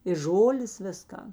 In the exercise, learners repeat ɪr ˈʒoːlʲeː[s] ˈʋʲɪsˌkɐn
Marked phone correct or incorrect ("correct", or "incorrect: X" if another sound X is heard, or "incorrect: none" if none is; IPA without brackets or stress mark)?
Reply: correct